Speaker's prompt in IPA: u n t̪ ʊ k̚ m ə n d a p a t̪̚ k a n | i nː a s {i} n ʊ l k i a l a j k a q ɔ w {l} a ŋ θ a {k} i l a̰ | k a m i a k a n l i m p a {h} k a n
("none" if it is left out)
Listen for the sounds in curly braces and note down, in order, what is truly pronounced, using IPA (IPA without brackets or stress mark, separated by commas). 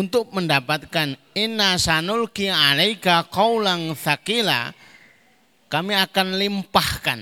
a, l, k, h